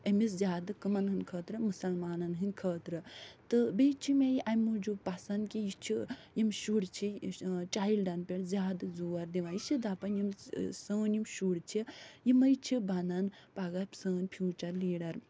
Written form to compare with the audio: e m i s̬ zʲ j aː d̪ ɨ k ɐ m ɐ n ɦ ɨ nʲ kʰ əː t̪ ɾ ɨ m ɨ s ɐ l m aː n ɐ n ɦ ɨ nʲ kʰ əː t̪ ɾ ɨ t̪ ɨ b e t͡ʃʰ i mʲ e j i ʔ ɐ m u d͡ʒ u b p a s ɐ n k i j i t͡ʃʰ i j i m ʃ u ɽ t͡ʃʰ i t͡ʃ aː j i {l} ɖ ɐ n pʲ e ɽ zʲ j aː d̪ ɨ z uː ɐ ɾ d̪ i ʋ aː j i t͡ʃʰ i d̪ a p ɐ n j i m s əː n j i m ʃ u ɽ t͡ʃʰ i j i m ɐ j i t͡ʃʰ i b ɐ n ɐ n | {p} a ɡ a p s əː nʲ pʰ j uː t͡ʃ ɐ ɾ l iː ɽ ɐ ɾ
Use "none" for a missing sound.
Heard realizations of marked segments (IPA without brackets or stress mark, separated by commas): l, p